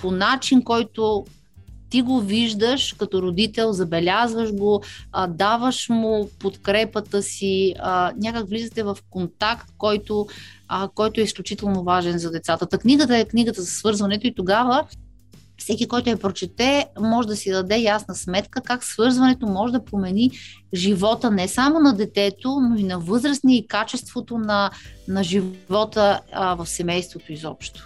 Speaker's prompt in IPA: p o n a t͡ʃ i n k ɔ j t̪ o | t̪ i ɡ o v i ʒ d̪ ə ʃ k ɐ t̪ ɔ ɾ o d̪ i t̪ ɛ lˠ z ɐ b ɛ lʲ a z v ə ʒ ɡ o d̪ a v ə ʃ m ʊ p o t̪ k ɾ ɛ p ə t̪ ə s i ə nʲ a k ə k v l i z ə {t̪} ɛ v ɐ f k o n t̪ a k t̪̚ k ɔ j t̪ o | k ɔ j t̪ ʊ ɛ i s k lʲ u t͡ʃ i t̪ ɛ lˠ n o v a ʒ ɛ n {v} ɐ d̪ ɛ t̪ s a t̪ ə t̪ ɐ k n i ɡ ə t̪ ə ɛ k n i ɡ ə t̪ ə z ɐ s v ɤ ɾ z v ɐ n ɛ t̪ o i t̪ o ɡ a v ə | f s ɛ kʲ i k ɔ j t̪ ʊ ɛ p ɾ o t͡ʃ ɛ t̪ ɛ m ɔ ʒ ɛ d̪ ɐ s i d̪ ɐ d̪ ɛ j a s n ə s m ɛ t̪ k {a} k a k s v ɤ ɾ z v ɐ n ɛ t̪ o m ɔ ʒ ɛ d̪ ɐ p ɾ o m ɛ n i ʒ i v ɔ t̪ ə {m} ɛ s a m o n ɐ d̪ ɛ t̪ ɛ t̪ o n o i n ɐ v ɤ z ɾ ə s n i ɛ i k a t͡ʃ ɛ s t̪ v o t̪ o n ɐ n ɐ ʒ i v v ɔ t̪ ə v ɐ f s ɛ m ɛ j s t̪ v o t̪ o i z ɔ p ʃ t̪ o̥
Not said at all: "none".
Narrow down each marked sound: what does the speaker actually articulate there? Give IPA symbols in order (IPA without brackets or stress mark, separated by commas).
t̪, z, ə, n